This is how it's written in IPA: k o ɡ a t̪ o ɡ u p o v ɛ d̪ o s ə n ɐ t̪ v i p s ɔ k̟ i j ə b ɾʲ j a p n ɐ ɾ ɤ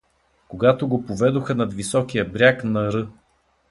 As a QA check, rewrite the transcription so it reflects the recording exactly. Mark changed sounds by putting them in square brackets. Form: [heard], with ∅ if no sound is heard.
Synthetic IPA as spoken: k o ɡ a t̪ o ɡ [o] p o v ɛ d̪ o [x] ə n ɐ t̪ v i [∅] s ɔ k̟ i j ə b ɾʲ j a [k] n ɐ ɾ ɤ